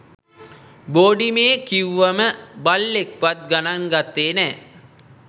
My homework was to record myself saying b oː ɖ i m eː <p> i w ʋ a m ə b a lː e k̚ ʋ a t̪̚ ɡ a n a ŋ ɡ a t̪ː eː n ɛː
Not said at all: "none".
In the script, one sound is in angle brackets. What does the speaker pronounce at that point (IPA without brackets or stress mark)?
k